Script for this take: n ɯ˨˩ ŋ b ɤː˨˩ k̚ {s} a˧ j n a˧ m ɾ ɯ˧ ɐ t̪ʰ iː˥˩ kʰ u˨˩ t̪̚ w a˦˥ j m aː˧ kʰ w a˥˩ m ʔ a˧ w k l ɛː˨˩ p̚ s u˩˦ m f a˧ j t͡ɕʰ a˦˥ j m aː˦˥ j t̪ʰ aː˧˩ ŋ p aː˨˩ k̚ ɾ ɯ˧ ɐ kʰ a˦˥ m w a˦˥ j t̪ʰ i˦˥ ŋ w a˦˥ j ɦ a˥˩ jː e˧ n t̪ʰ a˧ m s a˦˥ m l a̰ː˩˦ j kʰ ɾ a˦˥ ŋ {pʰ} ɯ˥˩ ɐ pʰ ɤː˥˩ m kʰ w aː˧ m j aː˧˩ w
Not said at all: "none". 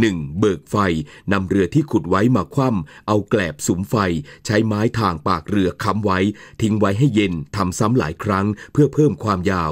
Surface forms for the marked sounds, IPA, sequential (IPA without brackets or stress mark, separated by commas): f, pʰ